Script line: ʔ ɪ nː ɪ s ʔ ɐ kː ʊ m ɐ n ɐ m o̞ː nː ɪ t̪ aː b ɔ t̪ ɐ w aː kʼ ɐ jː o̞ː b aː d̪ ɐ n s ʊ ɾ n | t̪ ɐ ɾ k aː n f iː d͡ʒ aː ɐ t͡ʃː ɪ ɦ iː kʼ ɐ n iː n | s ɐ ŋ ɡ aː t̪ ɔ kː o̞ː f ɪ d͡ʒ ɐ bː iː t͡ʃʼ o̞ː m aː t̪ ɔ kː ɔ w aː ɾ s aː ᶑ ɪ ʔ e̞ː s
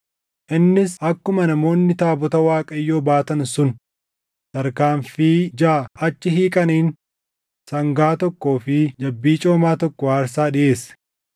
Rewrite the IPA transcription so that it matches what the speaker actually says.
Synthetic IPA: ʔ ɪ nː ɪ s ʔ ɐ kː ʊ m ɐ n ɐ m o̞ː nː ɪ t̪ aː b ɔ t̪ ɐ w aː kʼ ɐ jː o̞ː b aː t̪ ɐ n s ʊ n | t̪ ɐ ɾ k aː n f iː d͡ʒ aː ɐ t͡ʃː ɪ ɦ iː kʼ ɐ n iː n | s ɐ ŋ ɡ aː t̪ ɔ kː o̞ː f ɪ d͡ʒ ɐ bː iː t͡ʃʼ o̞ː m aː t̪ ɔ kː ɔ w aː ɾ s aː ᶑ ɪ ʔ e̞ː s